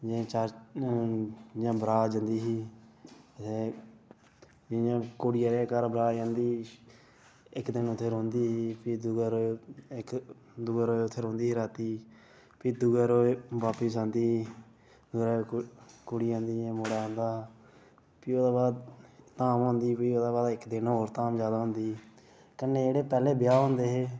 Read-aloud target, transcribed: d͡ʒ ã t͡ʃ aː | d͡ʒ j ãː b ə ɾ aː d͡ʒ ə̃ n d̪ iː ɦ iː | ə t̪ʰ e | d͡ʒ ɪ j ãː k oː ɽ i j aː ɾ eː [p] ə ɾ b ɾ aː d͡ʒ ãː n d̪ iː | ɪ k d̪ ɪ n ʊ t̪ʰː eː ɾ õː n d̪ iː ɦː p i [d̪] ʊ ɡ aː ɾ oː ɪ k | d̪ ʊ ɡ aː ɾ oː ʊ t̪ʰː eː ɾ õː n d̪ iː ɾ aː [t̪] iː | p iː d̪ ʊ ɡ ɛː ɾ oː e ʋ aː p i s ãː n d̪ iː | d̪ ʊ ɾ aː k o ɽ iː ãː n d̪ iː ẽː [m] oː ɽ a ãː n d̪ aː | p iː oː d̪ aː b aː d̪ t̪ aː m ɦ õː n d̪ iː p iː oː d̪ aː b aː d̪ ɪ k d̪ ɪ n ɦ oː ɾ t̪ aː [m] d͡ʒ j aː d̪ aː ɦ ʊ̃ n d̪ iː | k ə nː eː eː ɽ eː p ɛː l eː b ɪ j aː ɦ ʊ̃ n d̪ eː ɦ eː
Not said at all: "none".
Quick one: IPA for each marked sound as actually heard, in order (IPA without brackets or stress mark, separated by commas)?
k, d̪, t̪, m, m